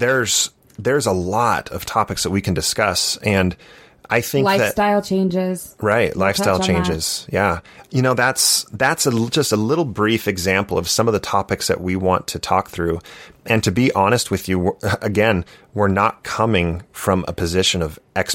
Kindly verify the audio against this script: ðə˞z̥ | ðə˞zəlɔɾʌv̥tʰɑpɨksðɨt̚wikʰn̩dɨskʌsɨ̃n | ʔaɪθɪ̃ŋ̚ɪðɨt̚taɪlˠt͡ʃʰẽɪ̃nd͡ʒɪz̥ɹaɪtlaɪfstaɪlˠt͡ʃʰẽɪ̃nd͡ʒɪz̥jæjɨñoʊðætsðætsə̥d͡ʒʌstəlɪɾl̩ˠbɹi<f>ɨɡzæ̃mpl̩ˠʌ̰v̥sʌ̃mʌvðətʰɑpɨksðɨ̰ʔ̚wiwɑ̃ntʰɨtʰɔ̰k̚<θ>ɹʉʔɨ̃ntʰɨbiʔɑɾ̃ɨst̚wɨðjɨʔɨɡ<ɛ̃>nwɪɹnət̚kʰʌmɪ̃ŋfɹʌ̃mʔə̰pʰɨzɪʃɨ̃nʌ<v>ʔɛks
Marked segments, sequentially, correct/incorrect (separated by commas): correct, correct, correct, correct